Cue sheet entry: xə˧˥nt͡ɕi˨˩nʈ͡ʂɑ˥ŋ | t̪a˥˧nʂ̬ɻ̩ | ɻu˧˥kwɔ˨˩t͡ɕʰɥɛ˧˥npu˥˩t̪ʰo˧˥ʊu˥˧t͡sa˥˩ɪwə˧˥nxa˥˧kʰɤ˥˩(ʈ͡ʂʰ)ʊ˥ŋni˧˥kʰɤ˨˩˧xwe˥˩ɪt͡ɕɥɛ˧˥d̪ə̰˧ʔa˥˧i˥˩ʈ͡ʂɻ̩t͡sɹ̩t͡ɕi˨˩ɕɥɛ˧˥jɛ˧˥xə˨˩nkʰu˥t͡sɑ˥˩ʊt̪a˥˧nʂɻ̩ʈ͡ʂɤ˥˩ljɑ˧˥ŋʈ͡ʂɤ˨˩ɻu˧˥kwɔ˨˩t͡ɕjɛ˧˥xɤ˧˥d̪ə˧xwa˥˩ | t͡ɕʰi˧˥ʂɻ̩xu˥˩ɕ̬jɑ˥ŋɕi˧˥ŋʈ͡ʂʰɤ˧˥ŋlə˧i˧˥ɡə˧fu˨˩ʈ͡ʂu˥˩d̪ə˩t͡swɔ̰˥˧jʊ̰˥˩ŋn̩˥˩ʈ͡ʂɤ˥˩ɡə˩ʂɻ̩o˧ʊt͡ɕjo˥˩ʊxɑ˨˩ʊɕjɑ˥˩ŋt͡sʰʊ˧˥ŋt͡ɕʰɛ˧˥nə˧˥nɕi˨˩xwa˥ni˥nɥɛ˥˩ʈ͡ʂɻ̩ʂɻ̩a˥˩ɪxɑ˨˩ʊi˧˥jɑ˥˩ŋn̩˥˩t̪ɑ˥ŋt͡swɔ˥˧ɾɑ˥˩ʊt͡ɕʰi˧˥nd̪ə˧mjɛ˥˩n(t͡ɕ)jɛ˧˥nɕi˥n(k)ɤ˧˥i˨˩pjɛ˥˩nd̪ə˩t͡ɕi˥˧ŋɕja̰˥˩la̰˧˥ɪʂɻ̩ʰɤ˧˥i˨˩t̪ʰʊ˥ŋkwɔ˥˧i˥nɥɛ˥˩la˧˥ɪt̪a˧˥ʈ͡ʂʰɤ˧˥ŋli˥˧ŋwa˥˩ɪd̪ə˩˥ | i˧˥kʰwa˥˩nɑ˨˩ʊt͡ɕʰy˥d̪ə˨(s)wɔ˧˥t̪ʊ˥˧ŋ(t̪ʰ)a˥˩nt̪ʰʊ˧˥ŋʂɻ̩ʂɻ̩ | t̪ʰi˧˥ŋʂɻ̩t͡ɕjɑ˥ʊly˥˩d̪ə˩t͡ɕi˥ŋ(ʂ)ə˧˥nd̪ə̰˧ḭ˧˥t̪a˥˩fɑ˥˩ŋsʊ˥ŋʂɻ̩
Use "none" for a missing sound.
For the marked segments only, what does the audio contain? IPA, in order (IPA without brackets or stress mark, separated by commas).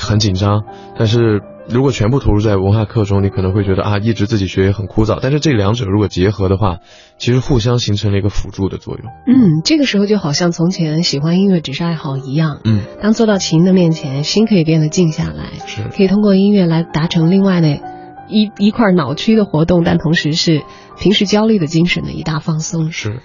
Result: ʈ͡ʂ, t͡ɕʰ, kʰ, x, t̪, ʂ